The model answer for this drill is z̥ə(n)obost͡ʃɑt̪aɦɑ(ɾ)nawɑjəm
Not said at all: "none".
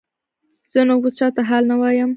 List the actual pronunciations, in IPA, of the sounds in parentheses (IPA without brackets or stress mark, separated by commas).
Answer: n, l